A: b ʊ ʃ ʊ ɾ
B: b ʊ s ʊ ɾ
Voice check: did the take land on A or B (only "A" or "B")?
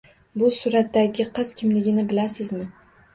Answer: B